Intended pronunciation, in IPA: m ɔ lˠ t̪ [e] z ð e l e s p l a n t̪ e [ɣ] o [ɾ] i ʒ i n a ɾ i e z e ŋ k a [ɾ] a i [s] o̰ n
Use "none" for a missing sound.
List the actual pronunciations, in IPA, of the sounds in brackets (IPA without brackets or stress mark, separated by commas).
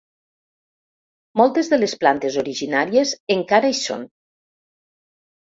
e, z, ɾ, ɾ, s